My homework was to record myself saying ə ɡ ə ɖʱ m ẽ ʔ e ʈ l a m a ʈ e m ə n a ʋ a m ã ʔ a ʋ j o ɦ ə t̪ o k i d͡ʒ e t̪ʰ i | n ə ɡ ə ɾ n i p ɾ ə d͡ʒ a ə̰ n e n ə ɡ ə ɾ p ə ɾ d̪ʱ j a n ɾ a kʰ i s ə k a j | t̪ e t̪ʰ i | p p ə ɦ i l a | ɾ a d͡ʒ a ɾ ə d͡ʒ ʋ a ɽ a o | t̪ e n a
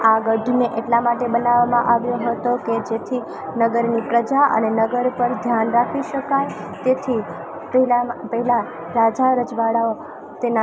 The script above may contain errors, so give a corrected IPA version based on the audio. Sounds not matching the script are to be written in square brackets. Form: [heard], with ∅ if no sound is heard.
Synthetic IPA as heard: [a] ɡ ə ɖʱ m [e] ʔ e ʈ l a m a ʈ e [b] ə n a ʋ a m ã ʔ a ʋ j o ɦ ə t̪ o k [e] d͡ʒ e t̪ʰ i | n ə ɡ ə ɾ n i p ɾ ə d͡ʒ a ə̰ n e n ə ɡ ə ɾ p ə ɾ d̪ʱ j a n ɾ a kʰ i [ʃ] ə k a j | t̪ e t̪ʰ i | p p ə ɦ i l a | ɾ a d͡ʒ a ɾ ə d͡ʒ ʋ a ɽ a o | t̪ e n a